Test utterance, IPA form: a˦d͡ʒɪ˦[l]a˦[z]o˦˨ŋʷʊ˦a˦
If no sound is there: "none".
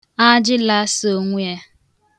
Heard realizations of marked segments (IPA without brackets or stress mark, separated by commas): l, s